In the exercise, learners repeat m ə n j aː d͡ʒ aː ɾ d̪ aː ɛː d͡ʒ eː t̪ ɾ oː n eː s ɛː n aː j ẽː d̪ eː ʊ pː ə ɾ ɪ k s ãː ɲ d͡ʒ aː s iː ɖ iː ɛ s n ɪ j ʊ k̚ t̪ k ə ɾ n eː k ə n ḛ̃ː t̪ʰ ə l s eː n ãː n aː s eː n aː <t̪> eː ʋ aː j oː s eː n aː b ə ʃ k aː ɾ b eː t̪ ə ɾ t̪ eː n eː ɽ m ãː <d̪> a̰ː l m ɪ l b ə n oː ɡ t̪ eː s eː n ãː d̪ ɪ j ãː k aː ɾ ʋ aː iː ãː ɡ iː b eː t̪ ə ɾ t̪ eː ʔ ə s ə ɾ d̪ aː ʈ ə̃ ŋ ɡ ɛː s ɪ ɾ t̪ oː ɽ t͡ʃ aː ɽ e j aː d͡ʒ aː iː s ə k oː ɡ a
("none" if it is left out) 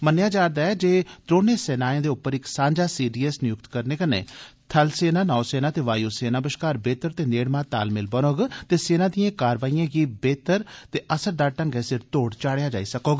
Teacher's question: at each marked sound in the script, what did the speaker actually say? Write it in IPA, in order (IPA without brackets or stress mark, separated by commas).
t̪, t̪